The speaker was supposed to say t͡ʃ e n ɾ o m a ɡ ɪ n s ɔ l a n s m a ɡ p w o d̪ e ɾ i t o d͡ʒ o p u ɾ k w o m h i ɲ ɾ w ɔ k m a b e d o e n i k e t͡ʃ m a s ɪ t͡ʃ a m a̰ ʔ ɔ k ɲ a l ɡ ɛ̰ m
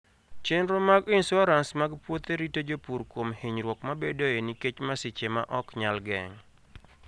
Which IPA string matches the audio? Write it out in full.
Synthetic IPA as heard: t͡ʃ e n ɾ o m a ɡ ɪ n s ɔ ɾ a n s m a ɡ p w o t̪ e ɾ i t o d͡ʒ o p u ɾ k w o m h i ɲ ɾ w ɔ k m a b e d o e n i k e t͡ʃ m a s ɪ t͡ʃ e m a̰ ʔ ɔ k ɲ a l ɡ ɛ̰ ŋ